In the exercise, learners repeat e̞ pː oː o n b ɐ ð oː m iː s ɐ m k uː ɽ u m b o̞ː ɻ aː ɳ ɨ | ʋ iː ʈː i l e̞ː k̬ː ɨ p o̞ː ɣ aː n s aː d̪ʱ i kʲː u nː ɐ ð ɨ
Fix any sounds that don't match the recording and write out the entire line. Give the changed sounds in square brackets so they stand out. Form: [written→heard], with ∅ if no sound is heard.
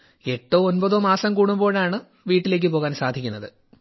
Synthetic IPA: e̞ [pː→ʈː] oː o n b ɐ ð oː m [iː→aː] s ɐ m k uː ɽ u m b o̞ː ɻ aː ɳ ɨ | ʋ iː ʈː i l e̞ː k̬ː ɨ p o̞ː ɣ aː n s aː d̪ʱ i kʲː u nː ɐ ð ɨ